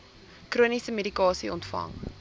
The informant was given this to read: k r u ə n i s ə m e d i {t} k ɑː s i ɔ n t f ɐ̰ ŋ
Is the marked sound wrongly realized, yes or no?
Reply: yes